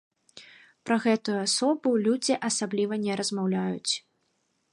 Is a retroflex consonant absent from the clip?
yes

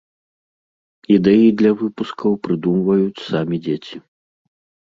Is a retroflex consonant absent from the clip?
yes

